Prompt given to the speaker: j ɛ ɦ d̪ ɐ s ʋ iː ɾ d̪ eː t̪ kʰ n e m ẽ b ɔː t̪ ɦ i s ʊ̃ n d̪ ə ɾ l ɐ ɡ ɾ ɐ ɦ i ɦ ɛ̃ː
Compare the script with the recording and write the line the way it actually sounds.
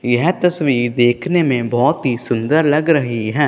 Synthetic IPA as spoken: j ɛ ɦ t̪ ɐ s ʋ iː ɾ d̪ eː kʰ n e m ẽ b ɔː t̪ ɦ i s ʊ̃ n d̪ ə ɾ l ɐ ɡ ɾ ɐ ɦ i ɦ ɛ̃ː